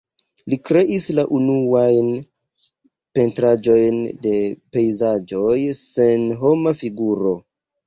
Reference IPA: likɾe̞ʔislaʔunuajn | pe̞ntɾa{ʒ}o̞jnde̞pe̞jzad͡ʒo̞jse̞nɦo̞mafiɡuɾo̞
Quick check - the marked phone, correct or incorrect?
incorrect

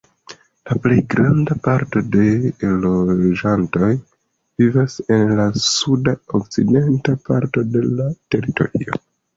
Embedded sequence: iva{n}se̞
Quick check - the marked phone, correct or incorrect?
incorrect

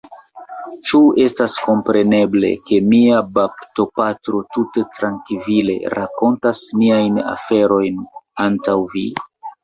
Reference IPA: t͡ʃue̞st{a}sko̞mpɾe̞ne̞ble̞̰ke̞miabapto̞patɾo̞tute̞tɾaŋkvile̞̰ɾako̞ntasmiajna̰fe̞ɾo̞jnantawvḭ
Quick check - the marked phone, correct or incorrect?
correct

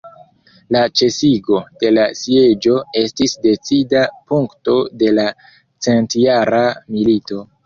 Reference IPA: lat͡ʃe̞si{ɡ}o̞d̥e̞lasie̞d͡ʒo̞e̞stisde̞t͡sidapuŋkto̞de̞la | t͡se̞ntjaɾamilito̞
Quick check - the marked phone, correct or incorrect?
correct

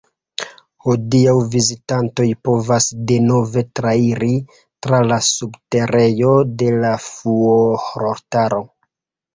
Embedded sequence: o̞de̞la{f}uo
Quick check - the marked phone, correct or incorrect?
correct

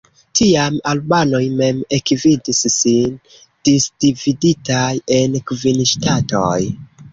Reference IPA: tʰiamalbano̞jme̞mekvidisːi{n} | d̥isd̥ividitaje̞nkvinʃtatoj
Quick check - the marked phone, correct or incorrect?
correct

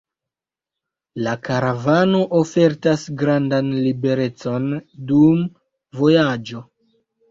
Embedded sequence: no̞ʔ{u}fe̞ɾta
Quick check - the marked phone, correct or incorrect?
incorrect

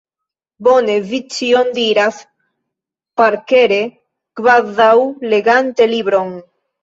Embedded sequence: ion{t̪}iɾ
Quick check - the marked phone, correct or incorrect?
incorrect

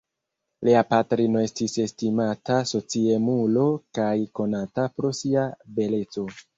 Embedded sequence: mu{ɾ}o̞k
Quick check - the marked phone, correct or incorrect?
incorrect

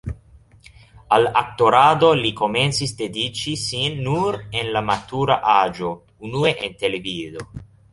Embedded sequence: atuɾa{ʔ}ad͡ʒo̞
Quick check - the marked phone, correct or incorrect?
correct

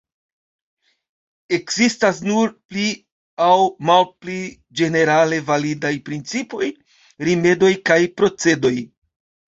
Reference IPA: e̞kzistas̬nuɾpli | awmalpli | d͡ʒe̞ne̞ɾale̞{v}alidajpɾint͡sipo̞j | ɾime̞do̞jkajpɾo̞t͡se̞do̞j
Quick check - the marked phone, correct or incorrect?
correct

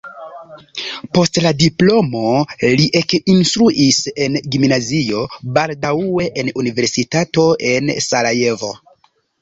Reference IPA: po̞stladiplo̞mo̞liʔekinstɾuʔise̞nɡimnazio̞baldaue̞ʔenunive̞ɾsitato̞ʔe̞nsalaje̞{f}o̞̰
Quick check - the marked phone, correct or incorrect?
incorrect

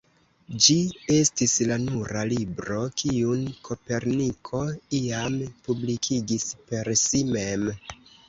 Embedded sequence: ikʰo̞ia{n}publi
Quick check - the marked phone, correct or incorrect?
incorrect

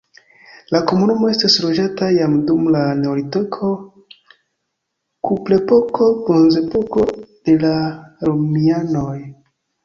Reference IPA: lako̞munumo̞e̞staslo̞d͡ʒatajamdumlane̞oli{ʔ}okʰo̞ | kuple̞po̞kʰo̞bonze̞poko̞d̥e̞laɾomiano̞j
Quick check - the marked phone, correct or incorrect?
incorrect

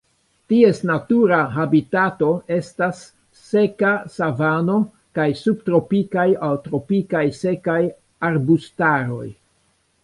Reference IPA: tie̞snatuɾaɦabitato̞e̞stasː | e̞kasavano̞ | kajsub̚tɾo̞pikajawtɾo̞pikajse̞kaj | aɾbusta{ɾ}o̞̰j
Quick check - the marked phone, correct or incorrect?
correct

